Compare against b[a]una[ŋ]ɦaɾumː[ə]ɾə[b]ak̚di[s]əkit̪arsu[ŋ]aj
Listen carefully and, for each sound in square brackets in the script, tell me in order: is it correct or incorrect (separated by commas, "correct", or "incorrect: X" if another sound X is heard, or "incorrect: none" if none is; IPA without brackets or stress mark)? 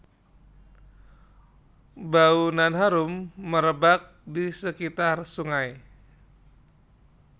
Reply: correct, incorrect: n, correct, correct, correct, correct